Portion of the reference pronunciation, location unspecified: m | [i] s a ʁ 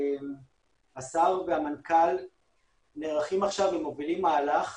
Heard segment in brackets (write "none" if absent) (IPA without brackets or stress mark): a